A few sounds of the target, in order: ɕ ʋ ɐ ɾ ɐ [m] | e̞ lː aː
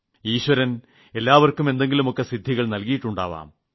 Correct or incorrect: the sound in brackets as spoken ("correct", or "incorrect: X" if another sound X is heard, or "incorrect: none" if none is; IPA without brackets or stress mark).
incorrect: n